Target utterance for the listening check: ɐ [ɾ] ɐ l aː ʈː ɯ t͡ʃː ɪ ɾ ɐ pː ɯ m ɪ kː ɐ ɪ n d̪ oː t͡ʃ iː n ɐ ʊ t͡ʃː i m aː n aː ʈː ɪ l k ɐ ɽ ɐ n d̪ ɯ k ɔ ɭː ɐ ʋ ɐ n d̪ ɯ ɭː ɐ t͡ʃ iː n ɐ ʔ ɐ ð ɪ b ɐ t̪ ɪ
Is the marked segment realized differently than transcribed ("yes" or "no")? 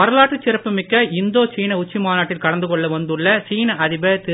no